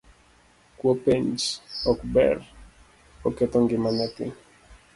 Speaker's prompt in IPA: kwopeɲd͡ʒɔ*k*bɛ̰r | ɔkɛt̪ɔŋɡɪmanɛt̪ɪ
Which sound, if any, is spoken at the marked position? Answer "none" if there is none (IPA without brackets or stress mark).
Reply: k